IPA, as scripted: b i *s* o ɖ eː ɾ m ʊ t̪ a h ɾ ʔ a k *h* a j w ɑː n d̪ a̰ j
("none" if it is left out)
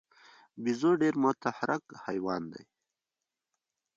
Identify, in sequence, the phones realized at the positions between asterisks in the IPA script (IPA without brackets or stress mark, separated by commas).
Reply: z, h